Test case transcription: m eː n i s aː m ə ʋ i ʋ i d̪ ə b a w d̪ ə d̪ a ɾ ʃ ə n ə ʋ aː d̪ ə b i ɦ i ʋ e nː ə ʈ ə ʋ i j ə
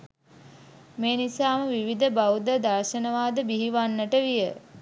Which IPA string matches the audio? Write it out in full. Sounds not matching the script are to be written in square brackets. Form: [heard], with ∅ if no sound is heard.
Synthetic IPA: m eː n i s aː m ə ʋ i ʋ i d̪ ə b a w d̪ ə d̪ a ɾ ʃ ə n ə ʋ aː d̪ ə b i ɦ i ʋ [a] nː ə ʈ ə ʋ i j ə

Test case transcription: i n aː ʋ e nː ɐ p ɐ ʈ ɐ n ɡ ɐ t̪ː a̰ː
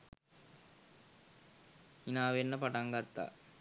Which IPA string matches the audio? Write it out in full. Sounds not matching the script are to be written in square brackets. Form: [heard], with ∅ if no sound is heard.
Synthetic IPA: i n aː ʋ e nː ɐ p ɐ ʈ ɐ [ŋ] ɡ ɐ t̪ː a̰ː

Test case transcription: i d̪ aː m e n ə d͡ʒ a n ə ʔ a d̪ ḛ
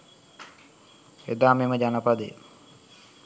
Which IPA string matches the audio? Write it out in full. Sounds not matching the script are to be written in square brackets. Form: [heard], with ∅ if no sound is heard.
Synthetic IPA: [e] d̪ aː m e [m] ə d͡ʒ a n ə [p] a d̪ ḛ

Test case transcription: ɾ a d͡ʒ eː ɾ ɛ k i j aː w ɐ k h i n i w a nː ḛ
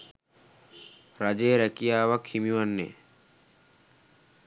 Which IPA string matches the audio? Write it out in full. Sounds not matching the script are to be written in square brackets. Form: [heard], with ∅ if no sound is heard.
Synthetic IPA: ɾ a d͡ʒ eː ɾ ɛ k i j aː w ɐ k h i [m] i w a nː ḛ

